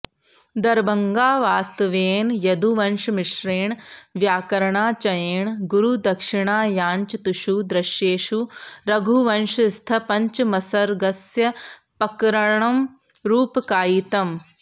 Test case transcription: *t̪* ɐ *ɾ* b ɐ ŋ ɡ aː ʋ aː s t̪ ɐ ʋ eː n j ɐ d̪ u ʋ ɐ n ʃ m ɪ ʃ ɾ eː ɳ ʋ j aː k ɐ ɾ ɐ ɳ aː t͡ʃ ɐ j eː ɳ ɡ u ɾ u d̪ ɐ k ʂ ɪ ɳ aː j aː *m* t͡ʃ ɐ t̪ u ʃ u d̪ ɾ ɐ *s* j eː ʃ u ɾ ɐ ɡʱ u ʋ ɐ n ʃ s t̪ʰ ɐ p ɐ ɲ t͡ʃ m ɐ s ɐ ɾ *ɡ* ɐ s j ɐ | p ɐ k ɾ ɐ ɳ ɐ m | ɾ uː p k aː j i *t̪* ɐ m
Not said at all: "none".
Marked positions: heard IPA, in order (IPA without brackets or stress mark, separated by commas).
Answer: d̪, ɾ, ɲ, ʃ, ɡ, t̪